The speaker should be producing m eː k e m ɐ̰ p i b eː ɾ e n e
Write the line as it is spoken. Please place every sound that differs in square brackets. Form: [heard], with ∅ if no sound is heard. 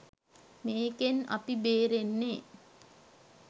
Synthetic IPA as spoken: m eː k e [n] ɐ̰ p i b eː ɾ e [nː] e